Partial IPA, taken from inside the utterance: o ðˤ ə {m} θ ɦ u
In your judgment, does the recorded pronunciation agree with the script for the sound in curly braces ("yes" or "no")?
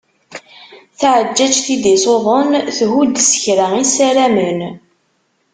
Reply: no